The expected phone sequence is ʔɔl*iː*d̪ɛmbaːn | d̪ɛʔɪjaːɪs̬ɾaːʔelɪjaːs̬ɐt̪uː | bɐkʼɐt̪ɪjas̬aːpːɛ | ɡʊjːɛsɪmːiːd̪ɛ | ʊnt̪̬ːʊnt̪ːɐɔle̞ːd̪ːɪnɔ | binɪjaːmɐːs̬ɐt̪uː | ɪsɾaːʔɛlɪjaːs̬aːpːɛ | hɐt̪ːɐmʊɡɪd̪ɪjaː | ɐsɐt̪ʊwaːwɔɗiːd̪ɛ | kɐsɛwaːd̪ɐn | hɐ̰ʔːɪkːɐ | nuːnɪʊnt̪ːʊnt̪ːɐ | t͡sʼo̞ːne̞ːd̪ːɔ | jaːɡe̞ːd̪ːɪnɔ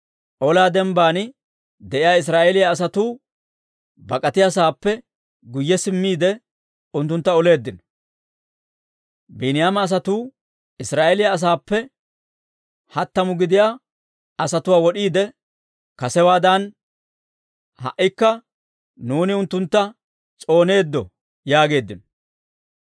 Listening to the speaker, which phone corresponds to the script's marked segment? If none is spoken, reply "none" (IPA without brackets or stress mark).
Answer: aː